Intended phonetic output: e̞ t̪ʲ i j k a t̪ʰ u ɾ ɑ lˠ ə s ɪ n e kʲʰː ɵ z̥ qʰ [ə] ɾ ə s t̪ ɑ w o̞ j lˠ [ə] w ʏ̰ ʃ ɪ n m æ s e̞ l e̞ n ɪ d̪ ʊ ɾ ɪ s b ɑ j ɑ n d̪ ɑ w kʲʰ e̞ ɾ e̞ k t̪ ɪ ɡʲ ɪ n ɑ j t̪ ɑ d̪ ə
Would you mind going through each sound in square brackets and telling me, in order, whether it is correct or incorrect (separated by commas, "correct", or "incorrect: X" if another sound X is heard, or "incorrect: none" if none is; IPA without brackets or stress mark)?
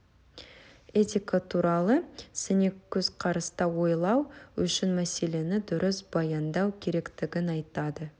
incorrect: ɑ, incorrect: ɑ